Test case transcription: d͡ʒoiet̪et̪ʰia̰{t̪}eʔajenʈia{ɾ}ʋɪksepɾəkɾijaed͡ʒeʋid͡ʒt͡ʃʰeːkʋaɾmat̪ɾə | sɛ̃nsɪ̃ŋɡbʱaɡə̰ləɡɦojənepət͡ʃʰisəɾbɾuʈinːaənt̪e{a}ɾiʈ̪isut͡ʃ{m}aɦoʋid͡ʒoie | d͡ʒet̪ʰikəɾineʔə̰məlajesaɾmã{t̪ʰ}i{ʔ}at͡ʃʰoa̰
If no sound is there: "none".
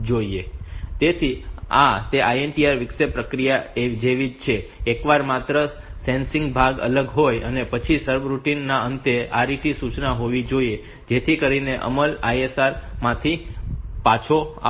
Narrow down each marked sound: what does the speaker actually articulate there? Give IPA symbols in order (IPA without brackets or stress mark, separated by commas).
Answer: t̪, ɾ, a, n, t̪ʰ, p